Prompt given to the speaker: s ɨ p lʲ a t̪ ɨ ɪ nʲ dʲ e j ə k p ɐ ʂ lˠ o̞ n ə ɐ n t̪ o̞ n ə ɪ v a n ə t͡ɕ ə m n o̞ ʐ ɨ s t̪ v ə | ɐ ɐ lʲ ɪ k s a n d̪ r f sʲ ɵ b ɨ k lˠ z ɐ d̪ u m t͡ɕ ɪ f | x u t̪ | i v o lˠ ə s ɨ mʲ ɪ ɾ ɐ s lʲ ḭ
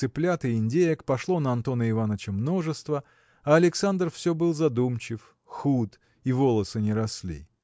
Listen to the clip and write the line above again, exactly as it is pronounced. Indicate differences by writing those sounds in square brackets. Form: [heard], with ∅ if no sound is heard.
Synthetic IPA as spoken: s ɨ p lʲ a t̪ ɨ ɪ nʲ dʲ e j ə k p ɐ ʂ lˠ o̞ n ə ɐ n t̪ o̞ n ə ɪ v a n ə t͡ɕ ə m n o̞ ʐ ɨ s t̪ v ə | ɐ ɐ lʲ ɪ k s a n d̪ r f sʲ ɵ b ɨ [∅] lˠ z ɐ d̪ u m t͡ɕ ɪ f | x u t̪ | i v o lˠ ə s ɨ [nʲ] ɪ ɾ ɐ s lʲ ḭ